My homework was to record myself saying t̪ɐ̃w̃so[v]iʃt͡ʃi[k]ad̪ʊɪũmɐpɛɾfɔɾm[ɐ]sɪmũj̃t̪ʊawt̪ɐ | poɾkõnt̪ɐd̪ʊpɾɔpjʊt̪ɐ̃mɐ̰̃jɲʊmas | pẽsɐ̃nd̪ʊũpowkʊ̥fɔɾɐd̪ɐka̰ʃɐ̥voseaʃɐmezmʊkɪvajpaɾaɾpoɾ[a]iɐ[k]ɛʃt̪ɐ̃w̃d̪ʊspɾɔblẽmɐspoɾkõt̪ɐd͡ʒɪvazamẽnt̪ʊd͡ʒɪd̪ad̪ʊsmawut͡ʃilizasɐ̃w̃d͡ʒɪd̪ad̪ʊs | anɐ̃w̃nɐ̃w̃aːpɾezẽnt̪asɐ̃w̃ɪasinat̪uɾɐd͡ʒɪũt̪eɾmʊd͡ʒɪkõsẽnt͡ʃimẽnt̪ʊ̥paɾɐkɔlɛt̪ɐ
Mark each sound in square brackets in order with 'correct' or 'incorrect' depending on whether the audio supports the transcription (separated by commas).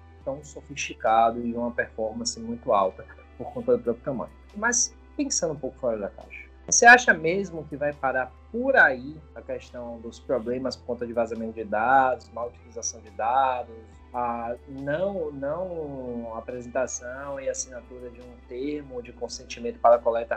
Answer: incorrect, correct, incorrect, correct, correct